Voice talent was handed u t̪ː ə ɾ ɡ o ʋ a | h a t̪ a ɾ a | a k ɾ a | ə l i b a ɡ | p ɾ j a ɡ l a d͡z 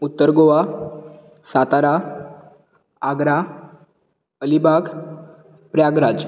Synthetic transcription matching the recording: u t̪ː ə ɾ ɡ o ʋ a | s a t̪ a ɾ a | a ɡ ɾ a | ə l i b a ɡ | p ɾ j a ɡ ɾ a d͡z